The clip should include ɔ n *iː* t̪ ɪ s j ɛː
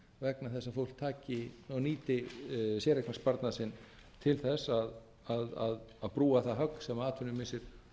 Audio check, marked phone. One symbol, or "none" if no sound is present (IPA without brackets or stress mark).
iː